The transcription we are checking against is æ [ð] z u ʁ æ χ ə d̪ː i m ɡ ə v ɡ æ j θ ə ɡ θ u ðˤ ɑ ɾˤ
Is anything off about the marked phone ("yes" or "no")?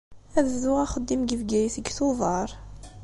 no